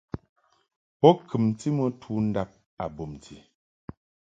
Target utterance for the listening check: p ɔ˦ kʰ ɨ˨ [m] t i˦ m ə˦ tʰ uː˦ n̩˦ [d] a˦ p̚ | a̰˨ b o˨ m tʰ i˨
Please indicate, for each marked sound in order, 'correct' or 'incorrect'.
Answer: correct, correct

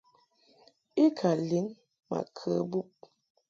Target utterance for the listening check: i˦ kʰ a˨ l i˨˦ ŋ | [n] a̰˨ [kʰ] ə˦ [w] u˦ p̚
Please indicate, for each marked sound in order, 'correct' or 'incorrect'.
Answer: incorrect: m, correct, incorrect: b

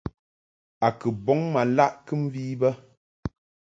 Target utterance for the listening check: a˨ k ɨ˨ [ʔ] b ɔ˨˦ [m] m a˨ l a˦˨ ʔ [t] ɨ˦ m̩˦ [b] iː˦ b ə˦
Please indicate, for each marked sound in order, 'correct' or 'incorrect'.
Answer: incorrect: none, incorrect: ŋ, incorrect: k, incorrect: v

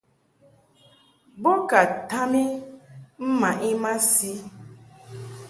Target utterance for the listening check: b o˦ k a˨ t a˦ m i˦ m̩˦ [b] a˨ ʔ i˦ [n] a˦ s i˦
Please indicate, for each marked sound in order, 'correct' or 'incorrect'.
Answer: incorrect: m, incorrect: m

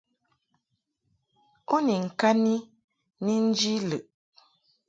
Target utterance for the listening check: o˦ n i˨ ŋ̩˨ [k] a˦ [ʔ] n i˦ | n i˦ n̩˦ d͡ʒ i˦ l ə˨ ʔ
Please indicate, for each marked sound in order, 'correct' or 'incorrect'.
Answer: correct, incorrect: none

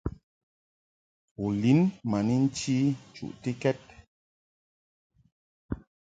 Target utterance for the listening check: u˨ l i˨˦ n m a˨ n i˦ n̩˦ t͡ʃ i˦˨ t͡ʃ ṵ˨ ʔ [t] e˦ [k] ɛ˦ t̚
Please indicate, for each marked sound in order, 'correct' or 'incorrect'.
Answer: correct, correct

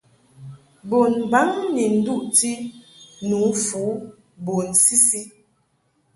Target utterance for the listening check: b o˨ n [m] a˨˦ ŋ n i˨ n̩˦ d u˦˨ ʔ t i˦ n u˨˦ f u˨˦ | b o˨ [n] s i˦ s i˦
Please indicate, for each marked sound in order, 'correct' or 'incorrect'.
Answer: incorrect: b, correct

